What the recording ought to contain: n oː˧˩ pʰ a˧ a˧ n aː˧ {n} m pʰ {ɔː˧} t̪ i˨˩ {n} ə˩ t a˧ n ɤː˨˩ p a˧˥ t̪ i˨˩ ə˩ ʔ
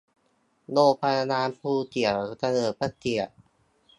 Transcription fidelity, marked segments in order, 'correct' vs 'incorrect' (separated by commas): incorrect, incorrect, incorrect